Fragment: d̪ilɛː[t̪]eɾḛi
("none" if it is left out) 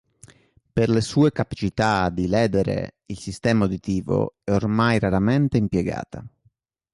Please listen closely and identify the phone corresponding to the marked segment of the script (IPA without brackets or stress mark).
d̪